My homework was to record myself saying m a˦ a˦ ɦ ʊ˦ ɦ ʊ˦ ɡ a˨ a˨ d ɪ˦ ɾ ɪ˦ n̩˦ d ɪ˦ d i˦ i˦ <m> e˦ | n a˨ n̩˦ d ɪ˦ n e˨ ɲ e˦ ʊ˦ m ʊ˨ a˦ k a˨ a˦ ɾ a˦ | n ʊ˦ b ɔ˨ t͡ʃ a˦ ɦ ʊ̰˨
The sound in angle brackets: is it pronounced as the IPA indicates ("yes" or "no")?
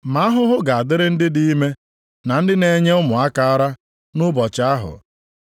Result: yes